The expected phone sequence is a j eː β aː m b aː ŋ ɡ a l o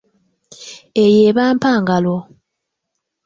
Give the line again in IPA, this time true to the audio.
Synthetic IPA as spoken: e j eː β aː m p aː ŋ ɡ a l o